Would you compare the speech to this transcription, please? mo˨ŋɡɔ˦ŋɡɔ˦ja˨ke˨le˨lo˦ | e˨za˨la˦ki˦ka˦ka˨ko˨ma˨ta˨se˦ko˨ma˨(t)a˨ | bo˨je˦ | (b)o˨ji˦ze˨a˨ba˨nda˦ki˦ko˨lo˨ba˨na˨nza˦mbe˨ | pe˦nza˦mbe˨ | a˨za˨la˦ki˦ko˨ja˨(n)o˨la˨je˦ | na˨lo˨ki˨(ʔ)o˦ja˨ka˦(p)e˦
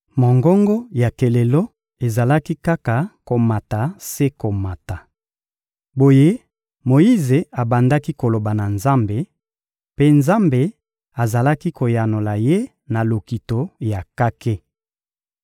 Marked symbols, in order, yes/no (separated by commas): yes, no, yes, no, no